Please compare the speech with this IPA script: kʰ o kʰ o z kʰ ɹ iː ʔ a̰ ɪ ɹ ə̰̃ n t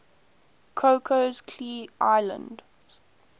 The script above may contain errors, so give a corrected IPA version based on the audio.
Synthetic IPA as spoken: kʰ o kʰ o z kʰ l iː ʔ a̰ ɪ l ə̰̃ n d